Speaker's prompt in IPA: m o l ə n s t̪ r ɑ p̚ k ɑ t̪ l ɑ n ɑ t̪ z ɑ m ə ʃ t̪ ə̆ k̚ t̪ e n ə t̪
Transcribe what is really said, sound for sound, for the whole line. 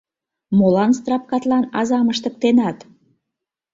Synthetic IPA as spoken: m o l ɑ n s t̪ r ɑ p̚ k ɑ t̪ l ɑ n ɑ z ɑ m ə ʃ t̪ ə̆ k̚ t̪ e n ɑ t̪